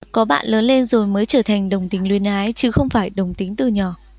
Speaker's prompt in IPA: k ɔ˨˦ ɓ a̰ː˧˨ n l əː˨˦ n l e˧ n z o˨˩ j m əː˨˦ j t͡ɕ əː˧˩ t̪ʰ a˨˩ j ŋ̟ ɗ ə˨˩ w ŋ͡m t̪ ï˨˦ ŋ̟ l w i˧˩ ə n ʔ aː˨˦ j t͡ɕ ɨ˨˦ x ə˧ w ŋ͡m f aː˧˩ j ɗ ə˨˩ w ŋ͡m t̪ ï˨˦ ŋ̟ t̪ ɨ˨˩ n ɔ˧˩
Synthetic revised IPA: k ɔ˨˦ ɓ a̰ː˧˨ n l əː˨˦ n l e˧ n z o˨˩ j m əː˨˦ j t͡ɕ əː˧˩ t̪ʰ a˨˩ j ŋ̟ ɗ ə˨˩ w ŋ͡m t̪ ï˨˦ ŋ̟ l w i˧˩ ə n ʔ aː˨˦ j t͡ɕ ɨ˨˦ x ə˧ w ŋ͡m f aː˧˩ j ɗ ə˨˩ w ŋ͡m t̪ ï˨˦ ŋ̟ t̪ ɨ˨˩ ɲ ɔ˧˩